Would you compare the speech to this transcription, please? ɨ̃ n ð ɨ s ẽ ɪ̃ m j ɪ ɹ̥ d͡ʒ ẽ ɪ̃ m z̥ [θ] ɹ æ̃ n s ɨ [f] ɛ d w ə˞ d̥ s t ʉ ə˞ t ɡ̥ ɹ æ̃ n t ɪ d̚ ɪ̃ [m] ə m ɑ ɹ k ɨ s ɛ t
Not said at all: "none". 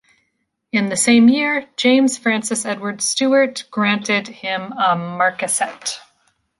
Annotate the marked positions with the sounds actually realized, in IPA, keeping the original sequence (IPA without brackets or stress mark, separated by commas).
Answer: f, s, m